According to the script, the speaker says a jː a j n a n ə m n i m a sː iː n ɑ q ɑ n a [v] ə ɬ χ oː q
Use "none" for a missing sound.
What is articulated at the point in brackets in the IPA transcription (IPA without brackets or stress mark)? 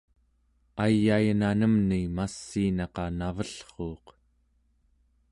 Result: v